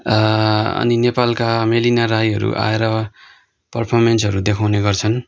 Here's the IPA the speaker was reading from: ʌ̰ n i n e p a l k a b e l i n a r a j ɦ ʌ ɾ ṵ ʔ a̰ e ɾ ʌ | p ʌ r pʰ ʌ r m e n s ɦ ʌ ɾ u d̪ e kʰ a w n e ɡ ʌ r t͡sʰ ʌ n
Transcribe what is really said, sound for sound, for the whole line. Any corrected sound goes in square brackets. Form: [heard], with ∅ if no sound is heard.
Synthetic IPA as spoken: ʌ̰ n i n e p a l k a [m] e l i n a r a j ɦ ʌ ɾ ṵ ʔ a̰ e ɾ ʌ | p ʌ r pʰ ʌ r m e n s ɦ ʌ ɾ u d̪ e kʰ a w n e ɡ ʌ r t͡sʰ ʌ n